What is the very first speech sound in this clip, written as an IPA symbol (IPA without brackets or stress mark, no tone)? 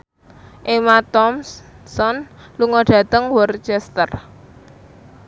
ʔ